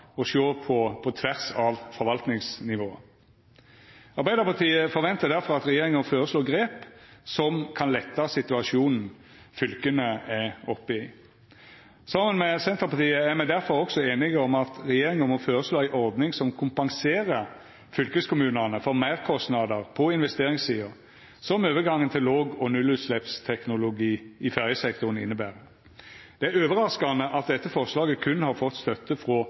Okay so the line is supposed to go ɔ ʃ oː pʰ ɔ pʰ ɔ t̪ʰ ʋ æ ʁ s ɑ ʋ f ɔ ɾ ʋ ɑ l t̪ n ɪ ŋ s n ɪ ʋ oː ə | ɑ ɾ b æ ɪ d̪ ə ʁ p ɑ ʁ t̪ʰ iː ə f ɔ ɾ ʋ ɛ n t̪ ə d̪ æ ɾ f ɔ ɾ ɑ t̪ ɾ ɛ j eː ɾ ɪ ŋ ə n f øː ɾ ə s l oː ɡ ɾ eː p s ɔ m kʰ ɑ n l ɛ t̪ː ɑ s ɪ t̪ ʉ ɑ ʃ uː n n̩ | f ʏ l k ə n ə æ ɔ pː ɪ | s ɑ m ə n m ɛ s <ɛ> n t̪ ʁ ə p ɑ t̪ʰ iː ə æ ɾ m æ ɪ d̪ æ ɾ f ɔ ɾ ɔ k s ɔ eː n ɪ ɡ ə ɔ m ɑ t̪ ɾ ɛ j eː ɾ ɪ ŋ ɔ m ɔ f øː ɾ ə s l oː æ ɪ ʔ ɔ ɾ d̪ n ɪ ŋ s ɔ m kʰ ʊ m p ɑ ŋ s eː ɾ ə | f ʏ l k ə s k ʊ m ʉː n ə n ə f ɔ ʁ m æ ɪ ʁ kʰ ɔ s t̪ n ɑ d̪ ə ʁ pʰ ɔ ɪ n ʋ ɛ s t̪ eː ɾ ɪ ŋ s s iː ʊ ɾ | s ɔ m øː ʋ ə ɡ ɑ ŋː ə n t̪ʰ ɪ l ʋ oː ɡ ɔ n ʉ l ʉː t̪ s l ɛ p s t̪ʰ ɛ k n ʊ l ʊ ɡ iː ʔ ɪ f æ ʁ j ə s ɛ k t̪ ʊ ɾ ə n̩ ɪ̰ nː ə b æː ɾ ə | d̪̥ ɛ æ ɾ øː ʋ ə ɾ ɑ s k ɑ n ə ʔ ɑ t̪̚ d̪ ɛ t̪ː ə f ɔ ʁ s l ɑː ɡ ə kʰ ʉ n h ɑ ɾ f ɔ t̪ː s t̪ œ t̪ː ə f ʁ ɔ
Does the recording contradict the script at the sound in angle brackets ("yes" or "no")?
no